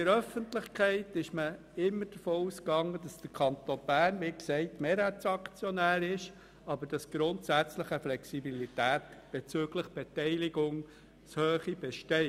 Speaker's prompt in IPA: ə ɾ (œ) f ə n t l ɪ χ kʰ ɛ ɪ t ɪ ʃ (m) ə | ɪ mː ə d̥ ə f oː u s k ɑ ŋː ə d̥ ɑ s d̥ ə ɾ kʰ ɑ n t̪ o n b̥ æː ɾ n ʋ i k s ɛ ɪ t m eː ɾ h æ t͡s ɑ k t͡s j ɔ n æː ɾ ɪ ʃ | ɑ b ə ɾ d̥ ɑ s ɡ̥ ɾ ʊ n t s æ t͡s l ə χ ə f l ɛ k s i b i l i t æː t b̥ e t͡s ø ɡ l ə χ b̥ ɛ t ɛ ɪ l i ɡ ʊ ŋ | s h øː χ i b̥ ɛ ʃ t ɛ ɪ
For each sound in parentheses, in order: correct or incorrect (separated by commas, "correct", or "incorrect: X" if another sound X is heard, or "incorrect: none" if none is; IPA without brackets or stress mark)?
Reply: correct, correct